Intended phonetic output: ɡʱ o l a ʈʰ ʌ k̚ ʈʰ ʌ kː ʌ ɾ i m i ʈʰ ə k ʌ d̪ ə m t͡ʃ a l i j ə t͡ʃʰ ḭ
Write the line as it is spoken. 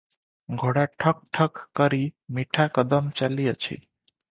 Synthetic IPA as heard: ɡʱ o ɽ a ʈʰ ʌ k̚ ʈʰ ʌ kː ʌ ɾ i m i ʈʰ a k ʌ d̪ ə m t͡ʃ a l i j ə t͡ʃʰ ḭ

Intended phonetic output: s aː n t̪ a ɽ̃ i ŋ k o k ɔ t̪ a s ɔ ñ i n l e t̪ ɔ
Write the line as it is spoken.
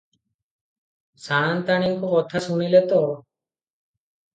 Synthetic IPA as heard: s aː n t̪ a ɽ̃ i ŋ k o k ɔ t̪ʰ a s u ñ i l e t̪ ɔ

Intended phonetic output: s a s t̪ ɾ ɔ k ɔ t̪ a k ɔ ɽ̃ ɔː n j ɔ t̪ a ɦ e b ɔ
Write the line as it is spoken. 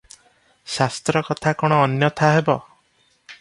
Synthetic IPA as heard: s a s t̪ ɾ ɔ k ɔ t̪ʰ a k ɔ ɽ̃ ɔː n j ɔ t̪ʰ a ɦ e b ɔ

